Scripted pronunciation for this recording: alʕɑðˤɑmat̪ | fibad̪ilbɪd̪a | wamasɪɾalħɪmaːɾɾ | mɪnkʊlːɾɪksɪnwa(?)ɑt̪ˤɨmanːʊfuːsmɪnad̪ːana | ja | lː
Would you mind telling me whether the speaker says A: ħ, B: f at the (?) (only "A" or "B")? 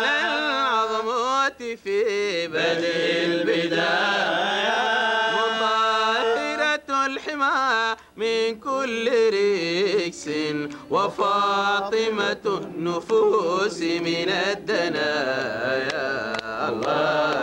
B